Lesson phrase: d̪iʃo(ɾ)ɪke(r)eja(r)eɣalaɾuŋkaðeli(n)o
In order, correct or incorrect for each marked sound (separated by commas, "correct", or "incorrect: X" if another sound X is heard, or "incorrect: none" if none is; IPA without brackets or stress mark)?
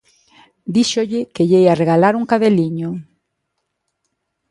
incorrect: ʎ, incorrect: ʎ, correct, incorrect: ɲ